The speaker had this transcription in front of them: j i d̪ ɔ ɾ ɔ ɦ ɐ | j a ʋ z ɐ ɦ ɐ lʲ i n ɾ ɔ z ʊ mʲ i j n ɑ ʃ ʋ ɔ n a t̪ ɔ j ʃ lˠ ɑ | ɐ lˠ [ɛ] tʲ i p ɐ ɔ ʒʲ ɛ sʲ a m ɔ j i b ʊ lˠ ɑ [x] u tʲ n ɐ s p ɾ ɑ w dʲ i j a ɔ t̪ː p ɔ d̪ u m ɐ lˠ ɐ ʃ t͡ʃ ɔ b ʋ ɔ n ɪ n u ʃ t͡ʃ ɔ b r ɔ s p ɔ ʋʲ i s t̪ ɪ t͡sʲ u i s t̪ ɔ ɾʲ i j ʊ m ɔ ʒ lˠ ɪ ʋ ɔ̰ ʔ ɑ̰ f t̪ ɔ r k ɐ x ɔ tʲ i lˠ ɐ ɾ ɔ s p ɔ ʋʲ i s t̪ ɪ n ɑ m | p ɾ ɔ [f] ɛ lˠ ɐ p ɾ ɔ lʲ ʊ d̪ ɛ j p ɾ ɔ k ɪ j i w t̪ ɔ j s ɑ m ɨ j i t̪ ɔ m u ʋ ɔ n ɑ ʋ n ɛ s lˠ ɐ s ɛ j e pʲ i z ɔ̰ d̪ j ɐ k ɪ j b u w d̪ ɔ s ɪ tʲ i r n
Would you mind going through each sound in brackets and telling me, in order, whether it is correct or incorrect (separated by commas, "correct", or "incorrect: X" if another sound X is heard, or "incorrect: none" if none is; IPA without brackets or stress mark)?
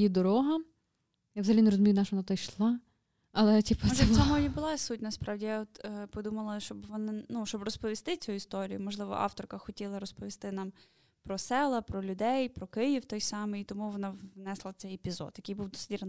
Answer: correct, incorrect: s, incorrect: s